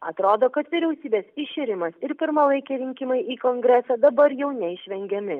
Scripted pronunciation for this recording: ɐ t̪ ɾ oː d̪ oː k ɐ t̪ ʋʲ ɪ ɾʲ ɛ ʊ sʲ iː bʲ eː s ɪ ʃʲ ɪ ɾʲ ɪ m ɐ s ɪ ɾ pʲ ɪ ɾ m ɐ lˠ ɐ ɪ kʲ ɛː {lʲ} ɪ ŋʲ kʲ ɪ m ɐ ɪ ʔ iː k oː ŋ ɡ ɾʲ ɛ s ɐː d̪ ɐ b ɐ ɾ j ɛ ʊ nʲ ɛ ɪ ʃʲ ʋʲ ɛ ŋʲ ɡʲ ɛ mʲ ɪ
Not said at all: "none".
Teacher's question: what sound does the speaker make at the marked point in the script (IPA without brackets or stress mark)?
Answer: ɾʲ